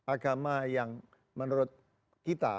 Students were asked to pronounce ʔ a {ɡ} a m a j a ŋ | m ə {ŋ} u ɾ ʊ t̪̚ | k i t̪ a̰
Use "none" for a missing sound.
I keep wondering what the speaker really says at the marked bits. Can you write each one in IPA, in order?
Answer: ɡ, n

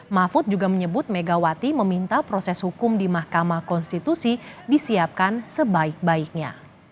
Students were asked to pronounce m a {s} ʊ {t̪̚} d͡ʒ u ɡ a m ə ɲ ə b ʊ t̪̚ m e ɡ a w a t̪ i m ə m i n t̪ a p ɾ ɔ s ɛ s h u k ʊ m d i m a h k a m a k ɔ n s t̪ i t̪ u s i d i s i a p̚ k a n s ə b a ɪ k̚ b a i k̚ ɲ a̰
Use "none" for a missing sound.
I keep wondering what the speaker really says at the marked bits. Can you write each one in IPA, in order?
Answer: f, t̪̚

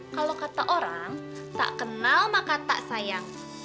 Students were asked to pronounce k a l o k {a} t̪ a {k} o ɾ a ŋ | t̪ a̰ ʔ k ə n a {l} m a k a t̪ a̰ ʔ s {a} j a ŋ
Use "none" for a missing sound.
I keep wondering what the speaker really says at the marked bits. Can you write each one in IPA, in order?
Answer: a, ʔ, l, a

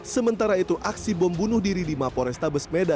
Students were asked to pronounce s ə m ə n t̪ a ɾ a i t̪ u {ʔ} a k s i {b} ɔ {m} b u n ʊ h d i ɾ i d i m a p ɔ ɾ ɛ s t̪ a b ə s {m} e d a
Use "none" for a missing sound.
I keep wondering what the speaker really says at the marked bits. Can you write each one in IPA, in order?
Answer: ʔ, b, m, m

